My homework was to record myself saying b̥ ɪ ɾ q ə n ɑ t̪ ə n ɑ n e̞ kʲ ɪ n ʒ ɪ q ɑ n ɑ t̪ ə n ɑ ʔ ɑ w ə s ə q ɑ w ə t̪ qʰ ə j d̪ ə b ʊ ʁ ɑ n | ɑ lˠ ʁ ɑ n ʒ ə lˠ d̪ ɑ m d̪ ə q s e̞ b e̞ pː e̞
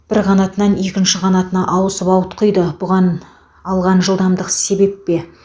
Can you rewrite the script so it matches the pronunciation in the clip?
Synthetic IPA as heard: b̥ ɪ ɾ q ɑ n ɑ t̪ ə n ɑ n e̞ kʲ ɪ n ʃ ɪ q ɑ n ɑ t̪ ə n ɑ ʔ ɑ w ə s ə p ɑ w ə t̪ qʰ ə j d̪ ə b ʊ ʁ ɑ n | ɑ lˠ ʁ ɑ n ʒ ə lˠ d̪ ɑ m d̪ ə q s e̞ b e̞ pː e̞